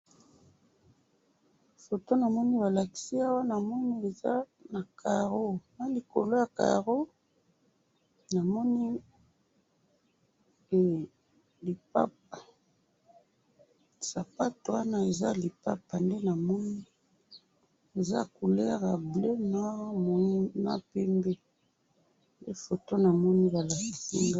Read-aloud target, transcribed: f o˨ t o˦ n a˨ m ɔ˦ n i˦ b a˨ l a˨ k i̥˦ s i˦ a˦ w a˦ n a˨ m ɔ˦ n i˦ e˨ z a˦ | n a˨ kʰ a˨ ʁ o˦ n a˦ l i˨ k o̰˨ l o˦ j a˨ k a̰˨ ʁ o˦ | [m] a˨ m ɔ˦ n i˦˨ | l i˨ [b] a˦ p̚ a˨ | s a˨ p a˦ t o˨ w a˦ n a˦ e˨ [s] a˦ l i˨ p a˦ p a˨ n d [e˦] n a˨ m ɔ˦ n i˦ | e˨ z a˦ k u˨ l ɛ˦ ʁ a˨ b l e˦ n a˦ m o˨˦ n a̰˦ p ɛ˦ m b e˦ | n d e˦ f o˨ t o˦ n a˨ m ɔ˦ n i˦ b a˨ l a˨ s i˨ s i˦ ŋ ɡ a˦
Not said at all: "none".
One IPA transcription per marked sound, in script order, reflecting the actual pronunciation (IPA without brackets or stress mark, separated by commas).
n, p, z, e˦